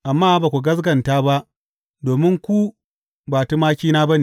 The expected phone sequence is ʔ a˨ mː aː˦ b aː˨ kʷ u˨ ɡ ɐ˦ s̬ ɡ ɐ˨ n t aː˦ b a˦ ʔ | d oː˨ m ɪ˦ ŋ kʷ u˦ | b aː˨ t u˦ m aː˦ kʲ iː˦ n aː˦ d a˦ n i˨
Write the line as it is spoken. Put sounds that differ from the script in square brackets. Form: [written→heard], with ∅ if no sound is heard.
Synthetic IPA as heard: ʔ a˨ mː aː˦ b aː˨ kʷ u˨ ɡ ɐ˦ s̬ ɡ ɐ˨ n t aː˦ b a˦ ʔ | d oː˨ m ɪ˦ ŋ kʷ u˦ | b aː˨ t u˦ m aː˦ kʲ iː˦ n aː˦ [d→b] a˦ n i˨